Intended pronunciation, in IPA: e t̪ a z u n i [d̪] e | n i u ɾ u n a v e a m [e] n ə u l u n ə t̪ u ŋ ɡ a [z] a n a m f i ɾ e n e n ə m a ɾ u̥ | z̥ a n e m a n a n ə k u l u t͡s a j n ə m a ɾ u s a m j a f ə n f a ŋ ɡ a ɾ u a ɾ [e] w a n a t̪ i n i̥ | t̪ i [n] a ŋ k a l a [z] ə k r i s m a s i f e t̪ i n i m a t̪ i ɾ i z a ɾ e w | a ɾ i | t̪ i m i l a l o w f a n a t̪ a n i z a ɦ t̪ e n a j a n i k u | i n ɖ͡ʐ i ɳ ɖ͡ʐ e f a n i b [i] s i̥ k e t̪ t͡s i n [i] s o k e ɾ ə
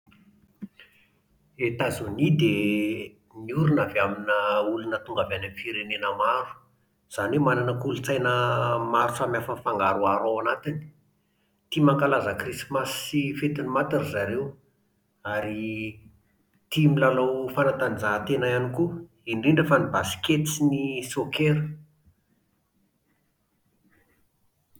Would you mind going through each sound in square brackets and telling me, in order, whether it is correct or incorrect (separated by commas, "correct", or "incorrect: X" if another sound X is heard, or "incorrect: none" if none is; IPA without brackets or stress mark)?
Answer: correct, incorrect: i, incorrect: v, incorrect: a, incorrect: m, correct, incorrect: a, correct